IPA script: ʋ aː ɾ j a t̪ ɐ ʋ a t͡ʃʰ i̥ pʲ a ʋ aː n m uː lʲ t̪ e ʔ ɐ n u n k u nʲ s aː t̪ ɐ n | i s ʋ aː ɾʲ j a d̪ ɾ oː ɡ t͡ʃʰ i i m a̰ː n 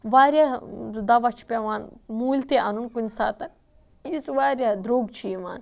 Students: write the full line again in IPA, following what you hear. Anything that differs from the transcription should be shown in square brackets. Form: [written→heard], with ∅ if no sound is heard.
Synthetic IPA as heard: ʋ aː ɾ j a [t̪→d̪] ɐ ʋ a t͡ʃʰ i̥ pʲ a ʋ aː n m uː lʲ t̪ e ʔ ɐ n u n k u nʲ s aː t̪ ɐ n | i s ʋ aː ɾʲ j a d̪ ɾ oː ɡ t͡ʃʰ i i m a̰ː n

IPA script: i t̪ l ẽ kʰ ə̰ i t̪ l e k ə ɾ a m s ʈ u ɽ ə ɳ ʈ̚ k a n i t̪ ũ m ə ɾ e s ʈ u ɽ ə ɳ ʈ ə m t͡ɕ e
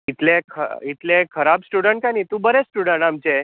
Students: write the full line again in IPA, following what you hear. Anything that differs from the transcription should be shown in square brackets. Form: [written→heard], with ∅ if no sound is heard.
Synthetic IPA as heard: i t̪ l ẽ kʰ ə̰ i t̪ l e [k→kʰ] ə ɾ a [m→b] s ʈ u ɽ ə ɳ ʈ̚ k a n i t̪ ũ [m→b] ə ɾ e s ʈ u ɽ ə ɳ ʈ [ə→a] m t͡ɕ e

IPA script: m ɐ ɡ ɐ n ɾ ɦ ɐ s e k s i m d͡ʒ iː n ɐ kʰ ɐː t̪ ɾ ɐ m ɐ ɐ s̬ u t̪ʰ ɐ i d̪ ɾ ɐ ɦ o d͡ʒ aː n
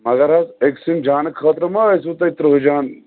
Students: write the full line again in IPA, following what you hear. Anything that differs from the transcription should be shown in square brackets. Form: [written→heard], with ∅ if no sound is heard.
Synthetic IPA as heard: m ɐ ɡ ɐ [n→∅] ɾ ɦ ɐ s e k s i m d͡ʒ [iː→aː] n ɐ kʰ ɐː t̪ ɾ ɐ m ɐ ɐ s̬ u [t̪ʰ→t̪] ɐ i [d̪→t̪] ɾ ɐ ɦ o d͡ʒ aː n

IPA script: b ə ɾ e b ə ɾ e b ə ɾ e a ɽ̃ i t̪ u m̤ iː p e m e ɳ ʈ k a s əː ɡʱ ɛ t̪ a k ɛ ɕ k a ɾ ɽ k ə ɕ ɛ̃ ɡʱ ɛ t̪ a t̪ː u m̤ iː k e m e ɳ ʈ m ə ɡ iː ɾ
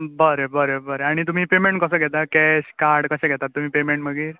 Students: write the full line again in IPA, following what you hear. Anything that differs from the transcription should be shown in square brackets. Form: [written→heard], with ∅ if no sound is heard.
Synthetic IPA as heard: b ə ɾ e b ə ɾ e b ə ɾ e a ɽ̃ i t̪ u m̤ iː p e m e ɳ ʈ k [a→ə] s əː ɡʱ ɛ t̪ a k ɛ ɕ k a ɾ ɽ k ə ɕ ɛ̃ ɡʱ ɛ t̪ a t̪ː u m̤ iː [k→p] e m e ɳ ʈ m ə ɡ iː ɾ

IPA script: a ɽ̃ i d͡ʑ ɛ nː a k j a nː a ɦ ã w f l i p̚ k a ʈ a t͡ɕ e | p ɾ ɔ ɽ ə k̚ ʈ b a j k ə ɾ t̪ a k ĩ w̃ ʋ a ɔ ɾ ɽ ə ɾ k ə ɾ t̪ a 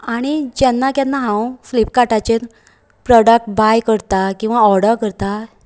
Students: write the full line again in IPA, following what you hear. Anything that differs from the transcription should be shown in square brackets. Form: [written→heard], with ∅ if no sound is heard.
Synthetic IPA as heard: a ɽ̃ i d͡ʑ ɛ nː a k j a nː a ɦ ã w f l i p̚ k a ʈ a t͡ɕ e | p ɾ ɔ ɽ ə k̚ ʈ b a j k ə ɾ t̪ a k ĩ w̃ ʋ a ɔ ɾ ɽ ə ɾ k ə ɾ t̪ a

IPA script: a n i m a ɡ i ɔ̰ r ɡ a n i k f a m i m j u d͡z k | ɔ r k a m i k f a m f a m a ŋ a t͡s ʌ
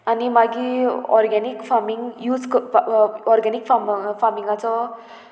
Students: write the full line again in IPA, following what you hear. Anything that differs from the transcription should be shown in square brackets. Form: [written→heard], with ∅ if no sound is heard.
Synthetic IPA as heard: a n i m a ɡ i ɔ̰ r ɡ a n i k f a m i [m→ŋ] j u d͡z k | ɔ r [k→ɡ] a [m→n] i k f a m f a m [a→i] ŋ a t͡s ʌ

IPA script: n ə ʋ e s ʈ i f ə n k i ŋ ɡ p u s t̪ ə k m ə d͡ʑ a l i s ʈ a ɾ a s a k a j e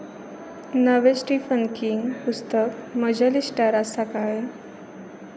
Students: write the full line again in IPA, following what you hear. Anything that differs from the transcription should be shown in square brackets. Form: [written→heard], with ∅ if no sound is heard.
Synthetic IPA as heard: n ə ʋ e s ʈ i f ə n k i ŋ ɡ p u s t̪ ə k m ə d͡ʑ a l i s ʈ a ɾ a s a k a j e

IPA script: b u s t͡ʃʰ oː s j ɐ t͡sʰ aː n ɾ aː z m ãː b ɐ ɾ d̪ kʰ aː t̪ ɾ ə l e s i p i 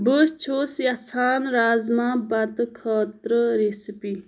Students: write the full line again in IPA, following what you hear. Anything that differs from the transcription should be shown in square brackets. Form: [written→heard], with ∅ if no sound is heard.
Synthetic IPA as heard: b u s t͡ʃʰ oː s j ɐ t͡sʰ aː n ɾ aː z m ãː b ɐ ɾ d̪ kʰ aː t̪ ɾ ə [l→ɾ] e s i p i

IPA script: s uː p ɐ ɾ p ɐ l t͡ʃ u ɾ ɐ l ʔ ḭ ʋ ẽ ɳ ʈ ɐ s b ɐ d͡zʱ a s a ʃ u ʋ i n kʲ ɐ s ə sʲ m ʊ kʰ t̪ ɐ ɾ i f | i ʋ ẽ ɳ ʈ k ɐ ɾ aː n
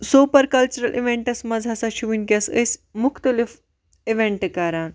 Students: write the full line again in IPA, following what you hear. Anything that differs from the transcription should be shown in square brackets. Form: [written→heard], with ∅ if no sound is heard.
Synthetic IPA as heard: s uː p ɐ ɾ [p→k] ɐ l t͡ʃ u ɾ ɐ l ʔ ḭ ʋ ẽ ɳ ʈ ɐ s [b→m] ɐ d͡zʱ a s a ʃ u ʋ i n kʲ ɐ s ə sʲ m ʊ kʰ t̪ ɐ [ɾ→l] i f | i ʋ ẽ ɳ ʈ k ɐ ɾ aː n

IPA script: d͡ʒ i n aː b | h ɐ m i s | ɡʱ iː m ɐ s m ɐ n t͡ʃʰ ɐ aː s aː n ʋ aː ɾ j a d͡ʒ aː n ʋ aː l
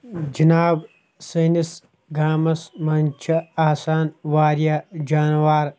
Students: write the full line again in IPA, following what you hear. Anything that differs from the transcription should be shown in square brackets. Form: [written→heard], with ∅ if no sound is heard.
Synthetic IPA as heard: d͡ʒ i n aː b | [h→s] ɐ [m→n] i s | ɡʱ [iː→aː] m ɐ s m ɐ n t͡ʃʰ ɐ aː s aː n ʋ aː ɾ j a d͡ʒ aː n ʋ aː [l→ɾ]

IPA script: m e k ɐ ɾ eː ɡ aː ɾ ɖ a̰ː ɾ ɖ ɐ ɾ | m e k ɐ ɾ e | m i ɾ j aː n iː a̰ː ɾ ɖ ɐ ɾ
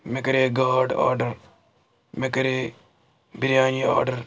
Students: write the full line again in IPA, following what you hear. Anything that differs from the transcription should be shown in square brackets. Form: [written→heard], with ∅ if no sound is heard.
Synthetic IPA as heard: m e k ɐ ɾ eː ɡ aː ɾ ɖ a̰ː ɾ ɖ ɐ ɾ | m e k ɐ ɾ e | [m→b] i ɾ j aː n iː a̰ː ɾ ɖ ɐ ɾ

